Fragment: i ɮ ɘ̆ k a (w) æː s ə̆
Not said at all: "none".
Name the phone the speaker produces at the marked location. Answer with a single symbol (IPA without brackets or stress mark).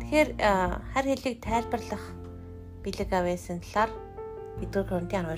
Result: w